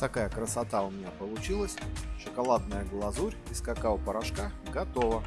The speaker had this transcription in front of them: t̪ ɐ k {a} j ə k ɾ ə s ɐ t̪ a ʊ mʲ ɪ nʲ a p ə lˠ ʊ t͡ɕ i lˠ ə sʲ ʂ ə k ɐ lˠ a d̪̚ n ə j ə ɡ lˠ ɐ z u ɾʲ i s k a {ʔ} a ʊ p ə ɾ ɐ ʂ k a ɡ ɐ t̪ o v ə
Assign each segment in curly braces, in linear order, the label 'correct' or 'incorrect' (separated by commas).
correct, incorrect